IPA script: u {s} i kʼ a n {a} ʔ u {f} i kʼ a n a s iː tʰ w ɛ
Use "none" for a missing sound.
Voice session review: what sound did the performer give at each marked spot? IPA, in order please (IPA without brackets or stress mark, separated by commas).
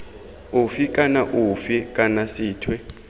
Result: f, a, f